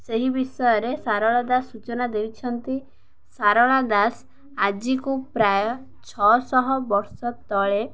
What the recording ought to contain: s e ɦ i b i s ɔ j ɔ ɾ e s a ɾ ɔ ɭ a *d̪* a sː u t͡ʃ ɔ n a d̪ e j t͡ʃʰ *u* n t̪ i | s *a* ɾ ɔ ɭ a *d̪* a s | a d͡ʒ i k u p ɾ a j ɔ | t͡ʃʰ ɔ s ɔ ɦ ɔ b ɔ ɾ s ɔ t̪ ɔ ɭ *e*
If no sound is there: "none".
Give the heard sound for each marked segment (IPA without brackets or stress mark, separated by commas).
d̪, ɔ, a, d̪, e